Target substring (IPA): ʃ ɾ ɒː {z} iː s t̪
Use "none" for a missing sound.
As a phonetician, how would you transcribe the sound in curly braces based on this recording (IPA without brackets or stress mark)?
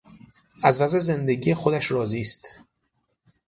z